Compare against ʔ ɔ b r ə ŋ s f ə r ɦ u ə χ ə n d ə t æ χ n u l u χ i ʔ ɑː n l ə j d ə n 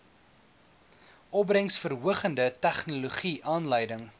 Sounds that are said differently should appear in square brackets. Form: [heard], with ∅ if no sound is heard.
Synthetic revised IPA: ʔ ɔ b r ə ŋ s f ə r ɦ u ə χ ə n d ə t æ χ n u l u χ i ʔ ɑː n l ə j d ə [ŋ]